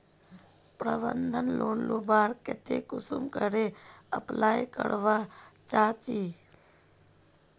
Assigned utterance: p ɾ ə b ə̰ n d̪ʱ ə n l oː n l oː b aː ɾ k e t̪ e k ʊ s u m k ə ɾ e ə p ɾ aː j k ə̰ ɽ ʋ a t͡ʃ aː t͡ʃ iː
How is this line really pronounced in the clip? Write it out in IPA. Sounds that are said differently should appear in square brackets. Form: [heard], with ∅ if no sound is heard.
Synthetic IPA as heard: p ɾ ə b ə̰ n d̪ʱ ə n l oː n l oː b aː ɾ k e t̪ e k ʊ s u m k ə ɾ e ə p [l] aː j k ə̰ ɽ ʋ a t͡ʃ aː t͡ʃ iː